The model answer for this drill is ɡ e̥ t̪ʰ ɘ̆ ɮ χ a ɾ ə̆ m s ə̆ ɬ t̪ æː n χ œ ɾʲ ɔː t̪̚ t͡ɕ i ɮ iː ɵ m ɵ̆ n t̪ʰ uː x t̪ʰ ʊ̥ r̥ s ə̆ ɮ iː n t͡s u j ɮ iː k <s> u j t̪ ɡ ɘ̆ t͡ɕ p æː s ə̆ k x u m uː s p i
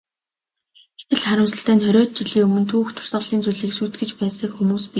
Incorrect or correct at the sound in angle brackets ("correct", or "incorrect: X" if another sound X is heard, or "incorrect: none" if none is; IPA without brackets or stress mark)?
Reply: correct